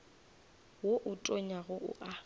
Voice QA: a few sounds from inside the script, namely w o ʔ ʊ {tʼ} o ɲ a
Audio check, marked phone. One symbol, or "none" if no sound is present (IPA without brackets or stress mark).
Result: tʼ